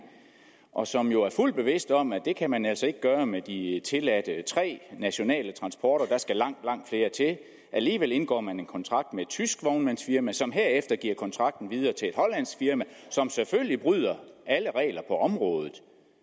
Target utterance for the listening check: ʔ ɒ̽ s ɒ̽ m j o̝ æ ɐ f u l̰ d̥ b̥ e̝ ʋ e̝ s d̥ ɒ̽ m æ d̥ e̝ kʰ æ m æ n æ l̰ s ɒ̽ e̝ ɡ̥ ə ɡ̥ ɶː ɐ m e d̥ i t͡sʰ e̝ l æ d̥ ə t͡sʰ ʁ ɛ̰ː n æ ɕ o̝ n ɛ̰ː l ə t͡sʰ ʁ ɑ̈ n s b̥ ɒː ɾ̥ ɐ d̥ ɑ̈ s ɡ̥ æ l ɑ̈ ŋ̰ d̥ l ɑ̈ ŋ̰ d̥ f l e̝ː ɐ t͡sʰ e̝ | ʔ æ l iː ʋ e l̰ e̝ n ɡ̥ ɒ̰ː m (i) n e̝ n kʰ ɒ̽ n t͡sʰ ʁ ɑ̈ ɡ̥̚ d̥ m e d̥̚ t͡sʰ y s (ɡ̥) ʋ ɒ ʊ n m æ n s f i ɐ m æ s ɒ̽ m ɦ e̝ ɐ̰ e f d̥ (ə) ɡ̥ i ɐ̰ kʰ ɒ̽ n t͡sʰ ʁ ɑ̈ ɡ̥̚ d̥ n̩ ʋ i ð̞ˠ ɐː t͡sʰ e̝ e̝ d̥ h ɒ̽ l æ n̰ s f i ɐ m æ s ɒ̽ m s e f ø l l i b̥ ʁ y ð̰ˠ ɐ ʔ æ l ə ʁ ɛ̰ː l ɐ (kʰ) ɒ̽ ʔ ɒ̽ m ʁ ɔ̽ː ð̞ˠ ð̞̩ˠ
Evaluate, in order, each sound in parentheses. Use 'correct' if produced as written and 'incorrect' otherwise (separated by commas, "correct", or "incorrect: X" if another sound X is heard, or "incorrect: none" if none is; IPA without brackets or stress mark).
incorrect: æ, correct, incorrect: ɐ, incorrect: pʰ